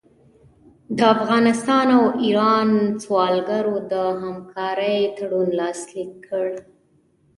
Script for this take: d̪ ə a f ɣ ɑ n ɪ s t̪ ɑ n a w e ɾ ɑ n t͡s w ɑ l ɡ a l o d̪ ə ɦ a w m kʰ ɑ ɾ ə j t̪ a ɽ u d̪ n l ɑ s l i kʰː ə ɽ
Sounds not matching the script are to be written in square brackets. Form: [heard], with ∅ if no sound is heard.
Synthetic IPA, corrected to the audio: d̪ ə a f ɣ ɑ n ɪ s t̪ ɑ n a w [i] ɾ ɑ n t͡s w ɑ l ɡ a [ɾ] o d̪ ə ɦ a [∅] m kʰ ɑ ɾ ə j t̪ a ɽ u [∅] n l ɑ s l i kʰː ə ɽ